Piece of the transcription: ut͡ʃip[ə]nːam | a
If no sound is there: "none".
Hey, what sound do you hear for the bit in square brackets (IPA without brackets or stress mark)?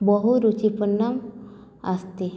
ə